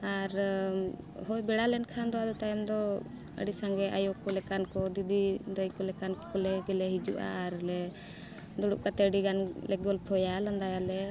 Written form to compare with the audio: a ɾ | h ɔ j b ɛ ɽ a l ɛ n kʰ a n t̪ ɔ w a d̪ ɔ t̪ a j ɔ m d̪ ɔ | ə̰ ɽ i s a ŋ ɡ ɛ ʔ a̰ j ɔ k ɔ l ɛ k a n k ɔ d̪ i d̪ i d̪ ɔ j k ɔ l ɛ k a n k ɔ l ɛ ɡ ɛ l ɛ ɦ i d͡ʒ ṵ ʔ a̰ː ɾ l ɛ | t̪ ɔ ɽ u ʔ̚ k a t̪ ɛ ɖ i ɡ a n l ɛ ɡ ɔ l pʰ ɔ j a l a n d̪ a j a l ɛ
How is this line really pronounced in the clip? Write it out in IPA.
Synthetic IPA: a ɾ | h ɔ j b ɛ ɽ a l ɛ n kʰ a n d̪ ɔ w a d̪ ɔ t̪ a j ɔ m d̪ ɔ | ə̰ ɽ i s a ŋ ɡ ɛ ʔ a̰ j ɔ k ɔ l ɛ k a n k ɔ d̪ i d̪ i d̪ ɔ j k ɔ l ɛ k a n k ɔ l ɛ ɡ ɛ l ɛ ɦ i d͡ʒ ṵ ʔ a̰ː ɾ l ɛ | d̪ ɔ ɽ u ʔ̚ k a t̪ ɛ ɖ i ɡ a n l ɛ ɡ ɔ l pʰ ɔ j a l a n d̪ a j a l ɛ